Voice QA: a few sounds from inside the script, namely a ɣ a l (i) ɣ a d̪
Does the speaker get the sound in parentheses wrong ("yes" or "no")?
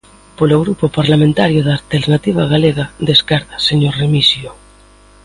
yes